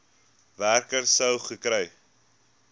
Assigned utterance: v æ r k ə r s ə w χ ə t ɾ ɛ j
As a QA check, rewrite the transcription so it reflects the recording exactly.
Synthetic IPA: v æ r k ə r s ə w χ ə k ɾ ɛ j